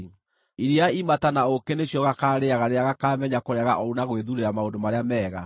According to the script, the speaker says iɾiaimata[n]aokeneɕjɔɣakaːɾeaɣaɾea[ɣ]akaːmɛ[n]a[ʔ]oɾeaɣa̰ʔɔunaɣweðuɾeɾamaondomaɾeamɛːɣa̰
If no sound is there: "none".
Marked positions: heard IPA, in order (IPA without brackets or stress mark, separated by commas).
n, ɣ, ɲ, k